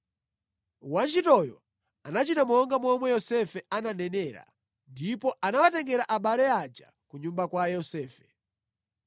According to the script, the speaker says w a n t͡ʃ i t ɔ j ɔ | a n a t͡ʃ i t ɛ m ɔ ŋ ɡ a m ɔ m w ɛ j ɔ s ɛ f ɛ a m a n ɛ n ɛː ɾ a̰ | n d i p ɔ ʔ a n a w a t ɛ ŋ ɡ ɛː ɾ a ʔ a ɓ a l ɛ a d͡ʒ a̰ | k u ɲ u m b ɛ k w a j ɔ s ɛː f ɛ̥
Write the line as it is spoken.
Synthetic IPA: w a n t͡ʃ i t ɔ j ɔ | a n a t͡ʃ i t a m ɔ ŋ ɡ a m ɔ m w ɛ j ɔ s ɛ f ɛ a n a n ɛ n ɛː ɾ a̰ | n d i p ɔ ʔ a n a w a t ɛ ŋ ɡ ɛ ɾ a ʔ a ɓ a l ɛ a d͡ʒ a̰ | k u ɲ u m b a k w a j ɔ s ɛː f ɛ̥

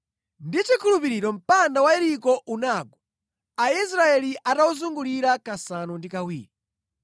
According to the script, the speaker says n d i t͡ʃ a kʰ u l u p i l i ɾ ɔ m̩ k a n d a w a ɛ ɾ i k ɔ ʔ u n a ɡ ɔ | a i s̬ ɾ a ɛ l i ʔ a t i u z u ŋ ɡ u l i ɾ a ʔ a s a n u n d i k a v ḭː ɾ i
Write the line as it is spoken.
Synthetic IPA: n d i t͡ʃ i kʰ u l u p i ɾ i ɾ ɔ m̩ p a n d a w a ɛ ɾ i k ɔ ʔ u n a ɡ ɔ | a i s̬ ɾ a ɛ l i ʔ a t a u z u ŋ ɡ u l i ɾ a k a s a n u n d i k a w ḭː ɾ i

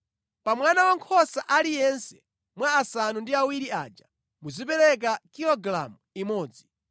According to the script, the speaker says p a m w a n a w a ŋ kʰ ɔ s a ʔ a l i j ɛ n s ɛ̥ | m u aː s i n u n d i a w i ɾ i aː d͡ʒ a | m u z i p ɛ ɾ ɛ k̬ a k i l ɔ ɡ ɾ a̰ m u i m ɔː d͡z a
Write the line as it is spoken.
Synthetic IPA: p a m w a n a w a ŋ kʰ ɔ s a ʔ a l i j ɛ n s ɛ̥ | m w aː s a n u n d i a w i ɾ i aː d͡ʒ a | m u z i p ɛ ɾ ɛ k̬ a k i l ɔ ɡ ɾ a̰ m u i m ɔː d͡z i

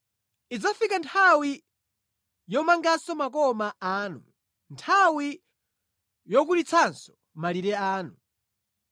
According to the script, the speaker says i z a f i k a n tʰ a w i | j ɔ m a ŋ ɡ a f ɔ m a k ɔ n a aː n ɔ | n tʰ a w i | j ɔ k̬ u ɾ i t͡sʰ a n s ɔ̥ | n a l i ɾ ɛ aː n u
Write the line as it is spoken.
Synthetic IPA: i d͡z a f i k a n tʰ a w i | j ɔ m a ŋ ɡ a s ɔ m a k ɔ m a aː n u | n tʰ a w i | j ɔ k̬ u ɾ i t͡sʰ a n s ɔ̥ | m a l i ɾ ɛ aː n u

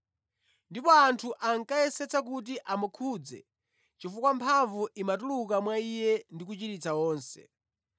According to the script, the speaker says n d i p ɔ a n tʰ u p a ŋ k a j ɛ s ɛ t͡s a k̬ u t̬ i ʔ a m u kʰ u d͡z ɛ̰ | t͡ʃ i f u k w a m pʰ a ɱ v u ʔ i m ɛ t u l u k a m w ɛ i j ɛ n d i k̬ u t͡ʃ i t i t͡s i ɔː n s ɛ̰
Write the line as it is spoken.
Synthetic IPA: n d i p ɔ a n tʰ u ʔ a ŋ k a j ɛ s ɛ t͡s a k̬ u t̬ i ʔ a m u kʰ u d͡z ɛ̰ | t͡ʃ i f u k w a m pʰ a ɱ v u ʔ i m a t u l u k a m w a i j ɛ n d i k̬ u t͡ʃ i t i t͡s a ɔː n s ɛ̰

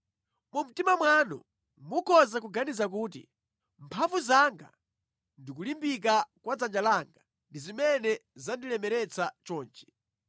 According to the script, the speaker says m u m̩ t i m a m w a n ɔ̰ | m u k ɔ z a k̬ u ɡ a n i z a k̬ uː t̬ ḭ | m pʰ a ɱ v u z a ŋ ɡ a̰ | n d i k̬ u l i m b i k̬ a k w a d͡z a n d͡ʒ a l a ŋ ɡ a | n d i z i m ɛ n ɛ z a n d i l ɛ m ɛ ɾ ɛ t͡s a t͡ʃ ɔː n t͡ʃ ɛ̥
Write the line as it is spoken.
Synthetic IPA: m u m̩ t i m a m w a n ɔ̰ | m u k ɔ z a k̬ u ɡ a n i z a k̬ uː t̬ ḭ | m pʰ a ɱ v u z a ŋ ɡ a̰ | n d i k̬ u l i m b i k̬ a k w a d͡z a n d͡ʒ a l a ŋ ɡ a | n d i z i m ɛ n ɛ z a n d i l ɛ m ɛ ɾ ɛ t͡s a t͡ʃ ɔː n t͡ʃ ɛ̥

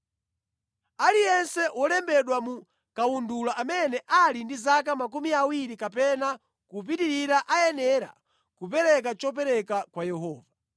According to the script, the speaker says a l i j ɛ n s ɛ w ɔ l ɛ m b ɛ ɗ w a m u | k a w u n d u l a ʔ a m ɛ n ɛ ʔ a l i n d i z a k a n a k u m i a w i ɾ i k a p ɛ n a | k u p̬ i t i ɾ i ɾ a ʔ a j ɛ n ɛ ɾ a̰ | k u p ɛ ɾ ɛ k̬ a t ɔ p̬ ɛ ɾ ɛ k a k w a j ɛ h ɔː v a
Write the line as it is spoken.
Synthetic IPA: a l i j ɛ n s ɛ w ɔ l ɛ m b ɛ ɗ w a m u | k a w u n d u l a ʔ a m ɛ n ɛ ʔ a l i n d i z a k a m a k u m i a w i ɾ i k a p ɛ n a | k u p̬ i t i ɾ i ɾ a ʔ a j ɛ n ɛ ɾ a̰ | k u p ɛ ɾ ɛ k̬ a t͡ʃ ɔ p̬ ɛ ɾ ɛ k a k w a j ɛ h ɔː v a

